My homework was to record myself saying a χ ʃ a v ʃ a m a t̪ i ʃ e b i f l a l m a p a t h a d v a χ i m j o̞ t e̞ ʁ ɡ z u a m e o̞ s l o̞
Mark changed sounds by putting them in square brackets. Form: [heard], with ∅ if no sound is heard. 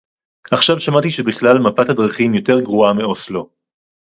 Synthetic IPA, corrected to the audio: a χ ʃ a v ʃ a m a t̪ i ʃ e b i [χ] l a l m a p a t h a d [ʁ] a χ i m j o̞ t e̞ ʁ ɡ [ʁ] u a m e o̞ s l o̞